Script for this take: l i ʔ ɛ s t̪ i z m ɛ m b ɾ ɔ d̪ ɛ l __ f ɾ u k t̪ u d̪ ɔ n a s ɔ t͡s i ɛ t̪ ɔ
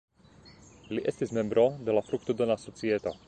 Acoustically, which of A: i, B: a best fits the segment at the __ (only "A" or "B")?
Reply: B